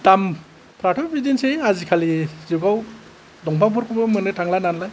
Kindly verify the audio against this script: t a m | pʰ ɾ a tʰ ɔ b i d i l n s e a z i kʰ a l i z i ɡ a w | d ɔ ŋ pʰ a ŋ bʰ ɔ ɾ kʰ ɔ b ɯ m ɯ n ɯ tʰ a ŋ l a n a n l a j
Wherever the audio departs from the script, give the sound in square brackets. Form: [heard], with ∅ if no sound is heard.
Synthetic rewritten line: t a m | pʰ ɾ a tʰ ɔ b i d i [∅] n s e a z i kʰ a l i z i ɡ a w | d ɔ ŋ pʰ a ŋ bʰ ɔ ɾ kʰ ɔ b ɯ m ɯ n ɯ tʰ a ŋ l a n a n l a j